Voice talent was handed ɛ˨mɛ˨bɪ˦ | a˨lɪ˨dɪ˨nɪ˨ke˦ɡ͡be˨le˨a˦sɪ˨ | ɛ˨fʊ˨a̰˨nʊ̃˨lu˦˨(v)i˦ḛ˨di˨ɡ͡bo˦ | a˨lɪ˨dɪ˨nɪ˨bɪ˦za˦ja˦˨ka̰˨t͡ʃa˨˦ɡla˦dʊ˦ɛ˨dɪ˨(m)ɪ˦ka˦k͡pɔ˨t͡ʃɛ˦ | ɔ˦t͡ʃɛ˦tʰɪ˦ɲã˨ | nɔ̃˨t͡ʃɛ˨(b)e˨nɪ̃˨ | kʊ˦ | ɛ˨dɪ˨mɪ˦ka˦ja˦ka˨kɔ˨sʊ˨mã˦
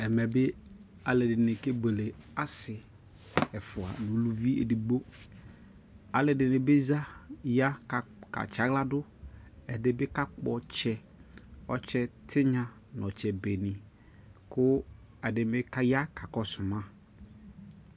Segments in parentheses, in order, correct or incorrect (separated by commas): correct, incorrect, correct